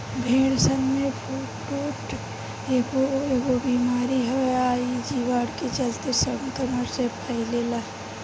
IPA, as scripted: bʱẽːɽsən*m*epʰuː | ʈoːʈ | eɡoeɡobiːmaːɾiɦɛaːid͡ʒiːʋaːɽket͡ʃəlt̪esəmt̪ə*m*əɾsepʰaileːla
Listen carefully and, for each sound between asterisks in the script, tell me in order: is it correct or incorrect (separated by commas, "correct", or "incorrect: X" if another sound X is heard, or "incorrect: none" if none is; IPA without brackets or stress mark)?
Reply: correct, correct